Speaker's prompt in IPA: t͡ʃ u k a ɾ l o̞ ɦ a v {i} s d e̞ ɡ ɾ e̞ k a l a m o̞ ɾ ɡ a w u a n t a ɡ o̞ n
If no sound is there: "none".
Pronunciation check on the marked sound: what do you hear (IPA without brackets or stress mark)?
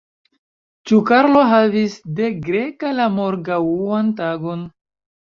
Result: i